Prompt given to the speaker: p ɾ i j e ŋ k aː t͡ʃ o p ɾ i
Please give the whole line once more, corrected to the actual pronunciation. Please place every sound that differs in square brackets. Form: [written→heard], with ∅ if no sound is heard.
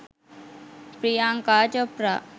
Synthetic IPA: p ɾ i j [e→a] ŋ k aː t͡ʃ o p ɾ [i→a]